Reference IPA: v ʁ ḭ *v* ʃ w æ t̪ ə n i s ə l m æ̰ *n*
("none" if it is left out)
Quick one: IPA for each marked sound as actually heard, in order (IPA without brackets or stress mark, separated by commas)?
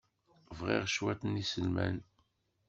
ʁ, n